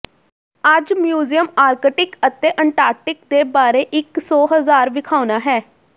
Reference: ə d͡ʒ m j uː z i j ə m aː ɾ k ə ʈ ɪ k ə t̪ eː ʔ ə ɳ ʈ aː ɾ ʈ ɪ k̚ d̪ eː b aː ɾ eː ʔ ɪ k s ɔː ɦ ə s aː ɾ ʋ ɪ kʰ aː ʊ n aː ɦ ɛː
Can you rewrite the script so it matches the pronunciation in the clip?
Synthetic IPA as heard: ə d͡ʒ m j uː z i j ə m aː ɾ k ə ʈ ɪ k ə t̪ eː ʔ ə ɳ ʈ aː ɾ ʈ ɪ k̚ d̪ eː b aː ɾ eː ʔ ɪ k s ɔː ɦ ə z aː ɾ ʋ ɪ kʰ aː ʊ n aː ɦ ɛː